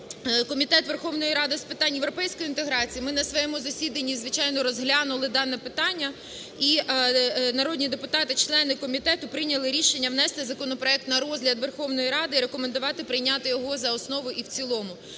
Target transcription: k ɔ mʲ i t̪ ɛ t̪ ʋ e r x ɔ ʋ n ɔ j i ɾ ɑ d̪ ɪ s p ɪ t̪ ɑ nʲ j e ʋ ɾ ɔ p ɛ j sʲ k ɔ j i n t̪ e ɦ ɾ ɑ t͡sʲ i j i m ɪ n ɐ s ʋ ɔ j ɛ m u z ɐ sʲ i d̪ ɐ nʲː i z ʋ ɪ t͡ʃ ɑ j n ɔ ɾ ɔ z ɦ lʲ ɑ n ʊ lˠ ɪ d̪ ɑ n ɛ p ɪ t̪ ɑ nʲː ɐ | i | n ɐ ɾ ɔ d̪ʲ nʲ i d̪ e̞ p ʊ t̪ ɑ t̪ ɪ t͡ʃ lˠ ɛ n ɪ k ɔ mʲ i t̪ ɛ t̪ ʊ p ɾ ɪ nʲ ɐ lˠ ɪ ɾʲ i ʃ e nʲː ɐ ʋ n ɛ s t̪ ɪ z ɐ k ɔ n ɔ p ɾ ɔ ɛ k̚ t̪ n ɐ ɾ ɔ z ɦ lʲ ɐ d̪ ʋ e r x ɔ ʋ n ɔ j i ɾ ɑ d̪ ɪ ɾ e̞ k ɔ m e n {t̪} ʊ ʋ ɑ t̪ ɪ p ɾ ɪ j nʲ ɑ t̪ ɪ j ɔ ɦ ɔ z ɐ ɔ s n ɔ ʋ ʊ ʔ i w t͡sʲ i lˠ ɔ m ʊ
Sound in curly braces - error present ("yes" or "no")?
yes